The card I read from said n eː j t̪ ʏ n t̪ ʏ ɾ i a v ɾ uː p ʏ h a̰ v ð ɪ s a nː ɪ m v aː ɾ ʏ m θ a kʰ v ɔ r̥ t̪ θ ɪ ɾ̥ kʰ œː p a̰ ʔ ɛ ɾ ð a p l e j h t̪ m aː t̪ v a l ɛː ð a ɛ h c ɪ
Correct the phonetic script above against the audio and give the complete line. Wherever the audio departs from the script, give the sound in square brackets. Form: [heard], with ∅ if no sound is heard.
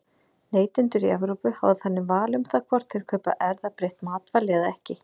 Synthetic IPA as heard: n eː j t̪ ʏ n t̪ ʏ ɾ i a v ɾ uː p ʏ h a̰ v ð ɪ [θ] a nː ɪ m v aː [l] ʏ m θ a kʰ v ɔ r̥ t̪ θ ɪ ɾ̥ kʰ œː p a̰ ʔ ɛ ɾ ð a p [ɾ] e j h t̪ m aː t̪ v a l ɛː ð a ɛ h c ɪ

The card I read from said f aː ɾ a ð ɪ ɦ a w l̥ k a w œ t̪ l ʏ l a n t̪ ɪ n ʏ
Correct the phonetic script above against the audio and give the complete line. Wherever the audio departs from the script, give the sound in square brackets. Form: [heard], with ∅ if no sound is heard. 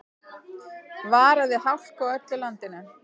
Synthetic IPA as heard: [v] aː ɾ a ð ɪ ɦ a w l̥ k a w œ t̪ l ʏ l a n t̪ ɪ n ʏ

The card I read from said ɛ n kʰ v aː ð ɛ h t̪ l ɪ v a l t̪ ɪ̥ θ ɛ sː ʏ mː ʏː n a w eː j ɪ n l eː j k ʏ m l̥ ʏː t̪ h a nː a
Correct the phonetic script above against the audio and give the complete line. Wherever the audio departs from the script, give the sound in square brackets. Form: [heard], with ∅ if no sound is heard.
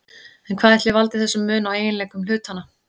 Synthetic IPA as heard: ɛ n kʰ v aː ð ɛ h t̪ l ɪ v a l t̪ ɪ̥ θ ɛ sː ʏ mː ʏː n a w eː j ɪ n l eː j k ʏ m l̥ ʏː t̪ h a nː a

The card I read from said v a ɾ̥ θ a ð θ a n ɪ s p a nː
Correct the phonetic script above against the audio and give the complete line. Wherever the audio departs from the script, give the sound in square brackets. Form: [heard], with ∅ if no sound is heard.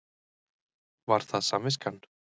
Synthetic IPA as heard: v a ɾ̥ θ a ð [s] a [m] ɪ s [k] a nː

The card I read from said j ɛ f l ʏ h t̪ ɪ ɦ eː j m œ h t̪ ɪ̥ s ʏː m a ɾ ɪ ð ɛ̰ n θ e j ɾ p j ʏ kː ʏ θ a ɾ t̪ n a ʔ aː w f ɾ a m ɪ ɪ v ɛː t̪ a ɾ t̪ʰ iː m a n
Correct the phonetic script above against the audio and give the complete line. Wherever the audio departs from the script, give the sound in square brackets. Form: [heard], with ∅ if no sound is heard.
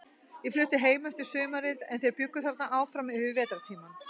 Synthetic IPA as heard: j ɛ f l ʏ h t̪ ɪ ɦ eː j m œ h t̪ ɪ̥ s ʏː m a ɾ ɪ ð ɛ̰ n θ e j ɾ p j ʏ kː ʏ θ a ɾ t̪ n a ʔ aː w f ɾ a m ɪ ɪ v ɛː t̪ a ɾ t̪ʰ iː m a n

